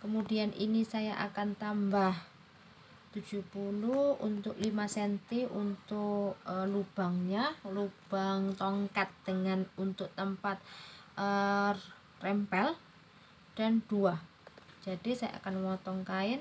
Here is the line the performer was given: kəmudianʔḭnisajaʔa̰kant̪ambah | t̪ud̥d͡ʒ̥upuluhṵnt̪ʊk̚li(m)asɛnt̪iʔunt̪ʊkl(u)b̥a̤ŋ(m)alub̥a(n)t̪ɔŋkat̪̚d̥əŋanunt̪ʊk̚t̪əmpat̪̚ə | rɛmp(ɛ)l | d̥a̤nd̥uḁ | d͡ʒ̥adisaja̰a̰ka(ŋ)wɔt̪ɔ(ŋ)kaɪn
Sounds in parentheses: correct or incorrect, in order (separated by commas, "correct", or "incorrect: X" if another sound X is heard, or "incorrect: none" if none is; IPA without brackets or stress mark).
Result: correct, correct, incorrect: ɲ, incorrect: ŋ, correct, incorrect: n, correct